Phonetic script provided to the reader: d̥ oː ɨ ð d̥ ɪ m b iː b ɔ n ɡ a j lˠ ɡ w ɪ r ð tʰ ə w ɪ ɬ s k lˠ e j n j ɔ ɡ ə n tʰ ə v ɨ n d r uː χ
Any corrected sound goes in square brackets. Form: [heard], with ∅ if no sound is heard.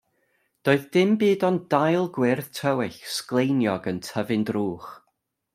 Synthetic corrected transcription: d̥ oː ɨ ð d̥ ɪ m b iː [d] ɔ n [d] a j lˠ ɡ w ɪ r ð tʰ ə w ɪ ɬ s k lˠ e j n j ɔ ɡ ə n tʰ ə v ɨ n d r uː χ

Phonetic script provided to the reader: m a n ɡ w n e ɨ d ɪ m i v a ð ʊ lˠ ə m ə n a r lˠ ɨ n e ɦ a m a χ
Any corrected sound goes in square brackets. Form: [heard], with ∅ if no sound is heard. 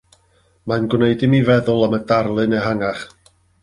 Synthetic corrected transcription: m a n ɡ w n e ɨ d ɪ m i v [ɛ] ð ʊ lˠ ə m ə [d] a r lˠ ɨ n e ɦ a [ŋ] a χ

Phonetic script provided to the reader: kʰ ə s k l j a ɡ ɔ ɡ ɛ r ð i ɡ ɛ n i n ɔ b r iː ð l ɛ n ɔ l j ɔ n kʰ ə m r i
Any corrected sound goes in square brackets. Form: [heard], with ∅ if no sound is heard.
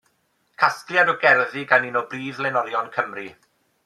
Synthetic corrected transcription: kʰ [a] s k l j a [d] ɔ ɡ ɛ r ð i ɡ [a] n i n ɔ b r iː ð l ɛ n ɔ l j ɔ n kʰ ə m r i

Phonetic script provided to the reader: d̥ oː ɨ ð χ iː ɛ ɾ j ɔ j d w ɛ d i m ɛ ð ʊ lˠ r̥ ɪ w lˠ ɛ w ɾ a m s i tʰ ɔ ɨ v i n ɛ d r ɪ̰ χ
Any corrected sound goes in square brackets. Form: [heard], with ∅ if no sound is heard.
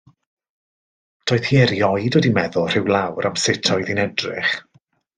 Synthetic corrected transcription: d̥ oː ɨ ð [h] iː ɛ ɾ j ɔ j d w ɛ d i m ɛ ð ʊ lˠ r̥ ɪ w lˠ [a] w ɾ a m s [ɪ] tʰ ɔ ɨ [ð] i n ɛ d r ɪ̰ χ

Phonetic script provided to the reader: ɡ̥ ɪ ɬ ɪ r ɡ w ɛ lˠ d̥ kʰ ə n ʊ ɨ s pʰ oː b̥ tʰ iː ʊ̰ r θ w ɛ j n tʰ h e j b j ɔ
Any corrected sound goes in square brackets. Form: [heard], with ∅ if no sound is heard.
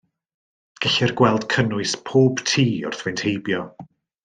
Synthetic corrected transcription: ɡ̥ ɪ ɬ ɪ r ɡ w ɛ lˠ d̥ kʰ ə n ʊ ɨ s pʰ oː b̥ tʰ iː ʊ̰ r θ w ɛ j n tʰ h e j b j ɔ

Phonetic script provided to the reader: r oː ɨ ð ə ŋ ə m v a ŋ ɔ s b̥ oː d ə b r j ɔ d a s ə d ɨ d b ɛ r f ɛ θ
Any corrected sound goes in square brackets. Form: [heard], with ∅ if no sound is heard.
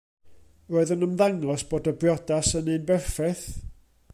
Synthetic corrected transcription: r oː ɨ ð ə [n] ə m [ð] a ŋ ɔ s b̥ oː d ə b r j ɔ d a s ə [n] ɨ [n] b ɛ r f ɛ θ

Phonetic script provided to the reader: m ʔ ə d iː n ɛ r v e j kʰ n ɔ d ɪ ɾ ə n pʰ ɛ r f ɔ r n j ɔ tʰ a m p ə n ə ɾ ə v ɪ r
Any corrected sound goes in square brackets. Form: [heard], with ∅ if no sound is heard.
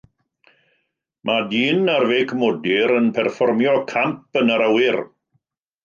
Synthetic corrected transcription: m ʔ [a] d iː n [a] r v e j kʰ [m] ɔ d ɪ ɾ ə n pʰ ɛ r f ɔ r [m] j ɔ [kʰ] a m p ə n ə ɾ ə [w] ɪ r

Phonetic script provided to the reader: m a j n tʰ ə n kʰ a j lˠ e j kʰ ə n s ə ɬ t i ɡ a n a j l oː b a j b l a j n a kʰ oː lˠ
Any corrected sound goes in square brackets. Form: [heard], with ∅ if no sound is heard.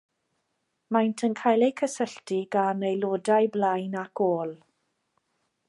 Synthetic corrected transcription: m a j n tʰ ə n kʰ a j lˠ e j kʰ ə [∅] s ə ɬ t i ɡ a n [e] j l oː [d] a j b l a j n a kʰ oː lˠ

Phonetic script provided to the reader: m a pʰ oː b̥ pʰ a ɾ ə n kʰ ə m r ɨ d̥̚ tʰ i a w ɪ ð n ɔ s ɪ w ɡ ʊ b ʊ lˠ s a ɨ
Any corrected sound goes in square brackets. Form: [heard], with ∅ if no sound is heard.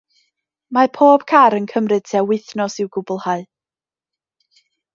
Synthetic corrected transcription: m a pʰ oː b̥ [kʰ] a ɾ ə n kʰ ə m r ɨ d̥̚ tʰ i a w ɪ [θ] n ɔ s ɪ w ɡ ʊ b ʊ lˠ [h] a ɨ

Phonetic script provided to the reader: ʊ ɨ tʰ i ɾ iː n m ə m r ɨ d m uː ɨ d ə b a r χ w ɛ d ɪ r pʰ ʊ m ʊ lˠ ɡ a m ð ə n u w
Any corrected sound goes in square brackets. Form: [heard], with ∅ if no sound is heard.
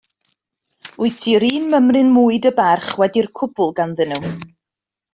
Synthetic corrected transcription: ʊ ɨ tʰ i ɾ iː n m ə m r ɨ [n] m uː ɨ d ə b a r χ w ɛ d [i] r [kʰ] ʊ [b] ʊ lˠ ɡ a [n] ð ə n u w

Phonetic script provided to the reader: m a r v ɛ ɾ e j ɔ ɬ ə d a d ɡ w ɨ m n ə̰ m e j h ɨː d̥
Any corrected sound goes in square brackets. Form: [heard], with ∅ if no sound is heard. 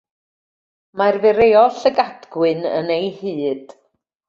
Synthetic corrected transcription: m a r v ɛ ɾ e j ɔ ɬ ə [ɡ] a d ɡ w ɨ [∅] n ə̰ [n] e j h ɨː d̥

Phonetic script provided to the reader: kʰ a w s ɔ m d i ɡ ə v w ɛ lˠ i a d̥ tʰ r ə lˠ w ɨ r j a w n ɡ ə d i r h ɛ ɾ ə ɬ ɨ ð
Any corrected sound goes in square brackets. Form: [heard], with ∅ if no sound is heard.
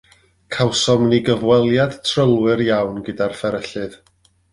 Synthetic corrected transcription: kʰ a w s ɔ m [n] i ɡ ə v w ɛ lˠ [j] a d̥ tʰ r ə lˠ w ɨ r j a w n ɡ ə d [a] r [f] ɛ ɾ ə ɬ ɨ ð

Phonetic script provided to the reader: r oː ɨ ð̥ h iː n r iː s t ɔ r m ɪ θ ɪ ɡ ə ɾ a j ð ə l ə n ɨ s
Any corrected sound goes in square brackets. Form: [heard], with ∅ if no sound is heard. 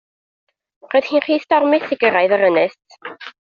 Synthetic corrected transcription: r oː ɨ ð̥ h iː n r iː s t ɔ r m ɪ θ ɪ ɡ ə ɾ a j ð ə [ɾ] ə n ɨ s

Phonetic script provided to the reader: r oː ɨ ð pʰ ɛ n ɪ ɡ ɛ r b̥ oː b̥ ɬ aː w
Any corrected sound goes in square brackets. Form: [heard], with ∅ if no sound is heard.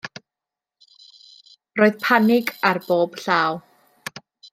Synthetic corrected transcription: r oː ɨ ð pʰ [a] n ɪ ɡ [a] r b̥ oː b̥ ɬ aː w

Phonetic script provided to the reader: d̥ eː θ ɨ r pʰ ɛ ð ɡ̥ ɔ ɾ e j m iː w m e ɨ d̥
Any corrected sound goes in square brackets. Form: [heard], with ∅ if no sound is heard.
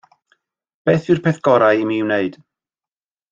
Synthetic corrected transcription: [b̥] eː θ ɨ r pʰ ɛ [θ] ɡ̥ ɔ ɾ [a] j m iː w [n] e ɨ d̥

